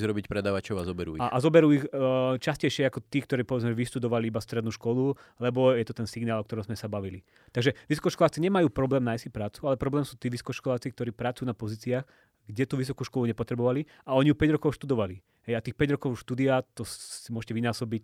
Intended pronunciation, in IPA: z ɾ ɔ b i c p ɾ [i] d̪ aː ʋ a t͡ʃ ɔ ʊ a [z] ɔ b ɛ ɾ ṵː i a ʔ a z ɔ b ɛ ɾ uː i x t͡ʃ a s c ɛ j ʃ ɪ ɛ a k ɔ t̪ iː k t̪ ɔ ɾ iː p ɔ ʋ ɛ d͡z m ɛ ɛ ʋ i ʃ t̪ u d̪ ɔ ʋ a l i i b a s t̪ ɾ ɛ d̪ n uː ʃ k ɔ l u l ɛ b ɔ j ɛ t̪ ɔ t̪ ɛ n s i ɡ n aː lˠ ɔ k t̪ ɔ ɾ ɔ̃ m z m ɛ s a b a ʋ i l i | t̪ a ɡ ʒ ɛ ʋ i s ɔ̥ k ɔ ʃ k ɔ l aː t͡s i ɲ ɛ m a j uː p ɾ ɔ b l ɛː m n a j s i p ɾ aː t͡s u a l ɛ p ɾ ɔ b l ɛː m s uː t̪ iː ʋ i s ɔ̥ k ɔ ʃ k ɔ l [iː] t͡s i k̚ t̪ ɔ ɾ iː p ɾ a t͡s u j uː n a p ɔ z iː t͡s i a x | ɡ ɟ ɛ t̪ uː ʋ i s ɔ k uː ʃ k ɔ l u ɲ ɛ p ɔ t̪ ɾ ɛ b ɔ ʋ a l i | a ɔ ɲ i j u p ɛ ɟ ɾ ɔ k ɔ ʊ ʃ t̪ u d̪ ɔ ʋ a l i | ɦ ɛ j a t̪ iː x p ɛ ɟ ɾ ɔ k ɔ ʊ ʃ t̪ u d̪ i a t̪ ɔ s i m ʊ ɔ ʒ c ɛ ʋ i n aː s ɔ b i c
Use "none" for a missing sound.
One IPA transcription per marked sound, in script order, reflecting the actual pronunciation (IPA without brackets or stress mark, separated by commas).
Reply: ɛ, z, aː